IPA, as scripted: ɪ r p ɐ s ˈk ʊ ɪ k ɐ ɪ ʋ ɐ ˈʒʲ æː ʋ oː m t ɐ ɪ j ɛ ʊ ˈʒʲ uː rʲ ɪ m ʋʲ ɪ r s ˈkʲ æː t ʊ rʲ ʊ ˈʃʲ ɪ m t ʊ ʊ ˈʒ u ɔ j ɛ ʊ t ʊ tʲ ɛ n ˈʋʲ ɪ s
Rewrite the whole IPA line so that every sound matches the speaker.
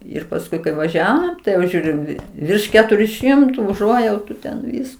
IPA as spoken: ɪ r p ɐ s ˈk ʊ ɪ k ɐ ɪ ʋ ɐ ˈʒʲ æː ʋ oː m t ɐ ɪ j ɛ ʊ ˈʒʲ uː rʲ ɪ m ʋʲ ɪ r ʃ ˈkʲ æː t ʊ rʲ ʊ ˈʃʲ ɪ m t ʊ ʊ ˈʒ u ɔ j ɛ ʊ t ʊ tʲ ɛ n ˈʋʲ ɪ s